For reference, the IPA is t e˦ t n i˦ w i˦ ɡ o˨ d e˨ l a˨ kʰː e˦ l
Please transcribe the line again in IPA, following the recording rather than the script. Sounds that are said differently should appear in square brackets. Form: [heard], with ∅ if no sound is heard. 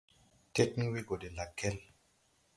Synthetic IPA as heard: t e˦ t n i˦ w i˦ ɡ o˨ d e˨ l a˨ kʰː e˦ l